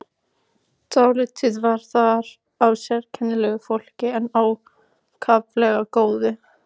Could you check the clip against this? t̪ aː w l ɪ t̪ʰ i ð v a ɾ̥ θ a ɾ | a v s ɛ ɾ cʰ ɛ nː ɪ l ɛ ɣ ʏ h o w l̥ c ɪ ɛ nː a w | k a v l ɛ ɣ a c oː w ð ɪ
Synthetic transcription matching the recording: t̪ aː w l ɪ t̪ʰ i ð v a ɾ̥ θ a ɾ | a w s ɛ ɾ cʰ ɛ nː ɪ l ɛ ɣ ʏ f o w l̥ c ɪ ɛ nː a w | kʰ a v l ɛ ɣ a k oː w ð ɪ